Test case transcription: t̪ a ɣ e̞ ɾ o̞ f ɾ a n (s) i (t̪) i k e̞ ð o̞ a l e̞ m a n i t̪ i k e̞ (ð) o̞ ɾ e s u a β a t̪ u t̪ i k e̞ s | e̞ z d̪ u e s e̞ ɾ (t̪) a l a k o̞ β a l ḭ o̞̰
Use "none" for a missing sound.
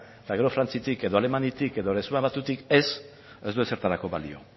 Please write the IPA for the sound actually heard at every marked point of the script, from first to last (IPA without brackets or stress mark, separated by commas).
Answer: t͡s, t̪, ð, t̪